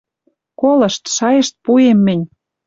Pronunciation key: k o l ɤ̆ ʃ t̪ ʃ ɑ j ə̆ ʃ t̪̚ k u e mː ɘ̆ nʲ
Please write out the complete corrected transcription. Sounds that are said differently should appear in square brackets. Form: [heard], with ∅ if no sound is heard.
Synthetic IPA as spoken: k o l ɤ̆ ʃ t̪ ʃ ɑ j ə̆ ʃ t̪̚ [p] u e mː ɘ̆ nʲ